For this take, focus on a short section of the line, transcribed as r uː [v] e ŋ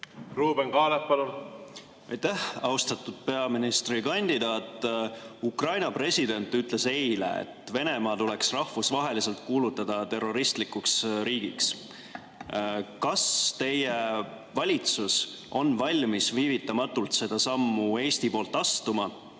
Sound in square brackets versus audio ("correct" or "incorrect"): incorrect